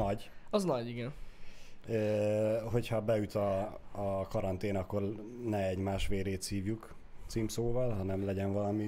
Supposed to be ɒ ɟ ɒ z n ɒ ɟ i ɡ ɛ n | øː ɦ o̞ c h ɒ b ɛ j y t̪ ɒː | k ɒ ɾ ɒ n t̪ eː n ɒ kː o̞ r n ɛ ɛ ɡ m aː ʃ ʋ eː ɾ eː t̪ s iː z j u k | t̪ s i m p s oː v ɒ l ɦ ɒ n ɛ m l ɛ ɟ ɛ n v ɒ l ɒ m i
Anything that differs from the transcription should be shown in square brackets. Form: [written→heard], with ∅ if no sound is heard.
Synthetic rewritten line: ɒ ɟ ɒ z n ɒ ɟ i ɡ ɛ n | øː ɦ o̞ c h ɒ b ɛ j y t̪ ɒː | k ɒ ɾ ɒ n t̪ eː n ɒ kː o̞ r n ɛ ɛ [ɡ→ɟ] m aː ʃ ʋ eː ɾ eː t̪ s iː [z→v] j u k | t̪ s i m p s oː v ɒ l ɦ ɒ n ɛ m l ɛ ɟ ɛ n v ɒ l ɒ m i